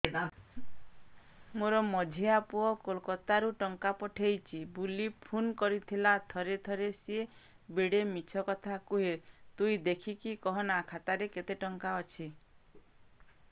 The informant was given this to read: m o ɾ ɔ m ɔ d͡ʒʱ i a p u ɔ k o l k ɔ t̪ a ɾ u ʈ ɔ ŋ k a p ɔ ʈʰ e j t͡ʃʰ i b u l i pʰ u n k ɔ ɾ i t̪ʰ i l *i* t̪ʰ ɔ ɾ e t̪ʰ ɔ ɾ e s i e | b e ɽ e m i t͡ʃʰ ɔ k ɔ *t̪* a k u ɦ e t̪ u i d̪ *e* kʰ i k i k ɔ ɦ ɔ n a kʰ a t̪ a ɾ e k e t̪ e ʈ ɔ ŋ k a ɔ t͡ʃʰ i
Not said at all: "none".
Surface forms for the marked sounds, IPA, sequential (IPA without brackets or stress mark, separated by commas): a, t̪ʰ, e